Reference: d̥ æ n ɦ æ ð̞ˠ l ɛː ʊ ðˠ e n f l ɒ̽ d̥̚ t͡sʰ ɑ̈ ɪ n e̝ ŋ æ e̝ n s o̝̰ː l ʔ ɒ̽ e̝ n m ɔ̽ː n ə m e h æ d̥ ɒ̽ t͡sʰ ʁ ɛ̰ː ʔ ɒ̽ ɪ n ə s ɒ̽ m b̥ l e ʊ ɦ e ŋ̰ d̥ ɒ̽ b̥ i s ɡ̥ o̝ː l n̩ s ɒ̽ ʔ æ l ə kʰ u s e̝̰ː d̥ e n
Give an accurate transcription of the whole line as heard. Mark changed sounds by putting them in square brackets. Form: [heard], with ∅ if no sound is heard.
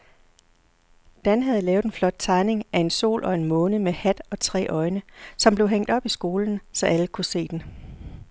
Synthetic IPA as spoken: d̥ æ n ɦ æ ð̞ˠ l ɛː ʊ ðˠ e n f l ɒ̽ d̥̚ t͡sʰ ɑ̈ ɪ n e̝ ŋ æ e̝ n s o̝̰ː l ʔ ɒ̽ e̝ n m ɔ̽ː n ə m e h æ d̥ ɒ̽ t͡sʰ ʁ ɛ̰ː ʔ ɒ̽ ɪ n ə s ɒ̽ m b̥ l e ʊ ɦ e ŋ̰ d̥ ɒ̽ b̥ i s ɡ̥ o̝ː l n̩ s ɒ̽ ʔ æ l ə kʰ u s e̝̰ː d̥ e n

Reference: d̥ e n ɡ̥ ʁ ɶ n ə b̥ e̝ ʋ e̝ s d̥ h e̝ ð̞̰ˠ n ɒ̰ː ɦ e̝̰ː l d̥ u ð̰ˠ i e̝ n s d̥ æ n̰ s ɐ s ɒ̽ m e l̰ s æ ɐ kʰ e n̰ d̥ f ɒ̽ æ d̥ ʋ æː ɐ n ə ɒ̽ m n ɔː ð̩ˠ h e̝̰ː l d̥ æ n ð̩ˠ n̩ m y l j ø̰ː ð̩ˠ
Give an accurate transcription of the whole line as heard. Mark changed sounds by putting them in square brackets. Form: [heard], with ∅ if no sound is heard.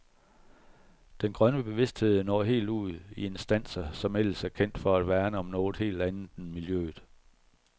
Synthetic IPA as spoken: d̥ e n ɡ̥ ʁ ɶ n ə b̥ e̝ ʋ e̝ s d̥ h e̝ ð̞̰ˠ n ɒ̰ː ɦ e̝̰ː l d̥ u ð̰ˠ i e̝ n s d̥ æ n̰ s ɐ s ɒ̽ m e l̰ s æ ɐ kʰ e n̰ d̥ f ɒ̽ æ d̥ ʋ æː ɐ n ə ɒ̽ m n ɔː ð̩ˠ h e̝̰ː l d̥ æ n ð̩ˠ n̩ m [i] l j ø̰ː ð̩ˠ

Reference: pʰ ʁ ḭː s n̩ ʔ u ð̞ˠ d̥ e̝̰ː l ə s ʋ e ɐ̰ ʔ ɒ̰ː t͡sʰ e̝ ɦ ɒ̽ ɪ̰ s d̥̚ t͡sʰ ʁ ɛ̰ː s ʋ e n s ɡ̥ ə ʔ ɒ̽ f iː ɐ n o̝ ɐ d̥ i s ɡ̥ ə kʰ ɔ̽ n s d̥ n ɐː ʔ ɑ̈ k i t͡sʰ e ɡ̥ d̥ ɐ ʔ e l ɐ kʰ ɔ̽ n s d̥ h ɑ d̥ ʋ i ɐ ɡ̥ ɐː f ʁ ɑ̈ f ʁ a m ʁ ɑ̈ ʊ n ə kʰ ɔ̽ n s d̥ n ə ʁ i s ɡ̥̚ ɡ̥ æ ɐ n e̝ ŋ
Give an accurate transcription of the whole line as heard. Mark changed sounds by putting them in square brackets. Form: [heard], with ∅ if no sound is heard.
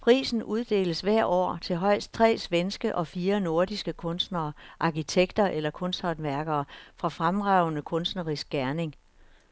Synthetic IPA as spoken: pʰ ʁ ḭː s n̩ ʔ u ð̞ˠ d̥ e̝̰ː l ə s ʋ [æ] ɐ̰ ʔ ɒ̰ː t͡sʰ e̝ ɦ ɒ̽ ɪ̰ s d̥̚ t͡sʰ ʁ ɛ̰ː s ʋ e n s ɡ̥ ə ʔ ɒ̽ f iː ɐ n o̝ ɐ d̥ i s ɡ̥ ə kʰ ɔ̽ n s d̥ n ɐː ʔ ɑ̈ k i t͡sʰ e ɡ̥ d̥ ɐ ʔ e l ɐ kʰ ɔ̽ n s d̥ h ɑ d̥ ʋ [æ] ɐ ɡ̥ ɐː f ʁ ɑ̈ f ʁ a m ʁ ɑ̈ ʊ n ə kʰ ɔ̽ n s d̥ n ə ʁ i s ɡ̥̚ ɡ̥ æ ɐ n e̝ ŋ

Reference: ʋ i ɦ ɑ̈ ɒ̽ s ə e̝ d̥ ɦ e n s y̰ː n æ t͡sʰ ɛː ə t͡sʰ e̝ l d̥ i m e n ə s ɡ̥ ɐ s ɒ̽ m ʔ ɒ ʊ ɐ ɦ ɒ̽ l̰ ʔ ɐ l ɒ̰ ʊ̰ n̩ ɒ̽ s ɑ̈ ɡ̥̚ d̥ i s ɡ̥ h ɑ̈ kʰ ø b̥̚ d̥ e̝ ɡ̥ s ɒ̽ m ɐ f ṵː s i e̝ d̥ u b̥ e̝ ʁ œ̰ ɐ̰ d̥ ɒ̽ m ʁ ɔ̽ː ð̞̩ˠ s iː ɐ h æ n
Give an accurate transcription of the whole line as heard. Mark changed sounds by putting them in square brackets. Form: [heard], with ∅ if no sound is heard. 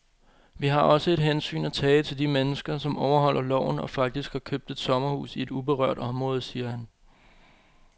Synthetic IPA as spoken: ʋ i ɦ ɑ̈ ɒ̽ s ə e̝ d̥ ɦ e n s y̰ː n æ t͡sʰ ɛː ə t͡sʰ e̝ l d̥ i m e n ə s ɡ̥ ɐ s ɒ̽ m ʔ ɒ ʊ ɐ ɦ ɒ̽ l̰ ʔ ɐ l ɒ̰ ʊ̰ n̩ ɒ̽ [f] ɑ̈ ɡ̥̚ d̥ i s ɡ̥ h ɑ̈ kʰ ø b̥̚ d̥ e̝ [d̥] s ɒ̽ m ɐ [h] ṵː s i e̝ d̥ u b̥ e̝ ʁ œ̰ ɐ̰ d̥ ɒ̽ m ʁ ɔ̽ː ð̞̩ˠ s iː ɐ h æ n

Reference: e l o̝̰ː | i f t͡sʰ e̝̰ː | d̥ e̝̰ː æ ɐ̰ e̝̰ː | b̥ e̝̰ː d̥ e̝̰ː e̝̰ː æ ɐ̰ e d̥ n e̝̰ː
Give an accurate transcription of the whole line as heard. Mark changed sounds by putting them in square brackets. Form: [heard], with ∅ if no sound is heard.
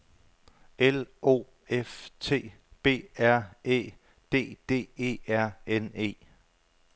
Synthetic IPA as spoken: e l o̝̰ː | [e] f t͡sʰ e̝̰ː | [b̥] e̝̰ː æ ɐ̰ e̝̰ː | [d̥] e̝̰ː d̥ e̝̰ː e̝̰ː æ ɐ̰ e [∅] n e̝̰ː

